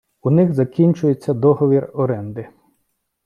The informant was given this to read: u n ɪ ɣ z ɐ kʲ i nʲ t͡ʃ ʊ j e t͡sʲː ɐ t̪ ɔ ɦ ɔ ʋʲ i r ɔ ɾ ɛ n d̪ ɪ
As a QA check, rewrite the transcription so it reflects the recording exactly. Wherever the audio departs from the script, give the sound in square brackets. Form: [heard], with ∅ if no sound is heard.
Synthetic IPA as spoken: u n ɪ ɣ z ɐ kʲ i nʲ t͡ʃ ʊ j e t͡sʲː ɐ [d̪] ɔ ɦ ɔ ʋʲ i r ɔ ɾ ɛ n d̪ ɪ